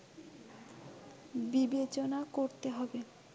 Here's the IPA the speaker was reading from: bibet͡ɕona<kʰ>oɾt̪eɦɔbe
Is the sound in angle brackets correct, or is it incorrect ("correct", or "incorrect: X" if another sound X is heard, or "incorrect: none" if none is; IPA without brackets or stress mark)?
incorrect: k